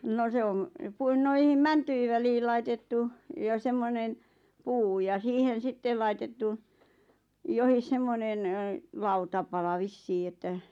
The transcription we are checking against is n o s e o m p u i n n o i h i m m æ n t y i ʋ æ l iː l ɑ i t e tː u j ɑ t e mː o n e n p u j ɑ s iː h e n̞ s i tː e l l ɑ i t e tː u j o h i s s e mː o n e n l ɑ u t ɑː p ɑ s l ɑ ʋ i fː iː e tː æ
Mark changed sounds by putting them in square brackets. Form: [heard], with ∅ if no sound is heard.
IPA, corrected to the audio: n o s e o m p u i n n o i h i m m æ n t y i ʋ æ l iː l ɑ i t e tː u j ɑ [s] e mː o n e n p [uː] j ɑ s iː h e n̞ s i tː e l l ɑ i t e tː u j o h i s s e mː o n e n l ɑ u t [ɑ] p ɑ [∅] l ɑ ʋ i [sː] iː e tː æ